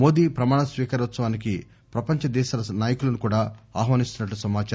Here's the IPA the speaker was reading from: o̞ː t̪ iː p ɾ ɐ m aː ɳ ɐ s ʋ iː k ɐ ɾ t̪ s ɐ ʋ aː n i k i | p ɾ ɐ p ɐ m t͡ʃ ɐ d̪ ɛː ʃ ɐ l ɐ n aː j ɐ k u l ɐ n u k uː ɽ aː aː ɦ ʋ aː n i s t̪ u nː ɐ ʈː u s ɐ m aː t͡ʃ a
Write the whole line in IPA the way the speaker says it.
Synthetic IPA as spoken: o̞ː d̪ iː p ɾ ɐ m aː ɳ ɐ s ʋ iː k ɐ ɾ t̪ s ɐ ʋ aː n i k i | p ɾ ɐ p ɐ ɲ t͡ʃ ɐ d̪ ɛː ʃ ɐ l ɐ n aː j ɐ k u l ɐ n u k uː ɽ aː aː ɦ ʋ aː n i s t̪ u n ɐ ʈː u s ɐ m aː t͡ʃ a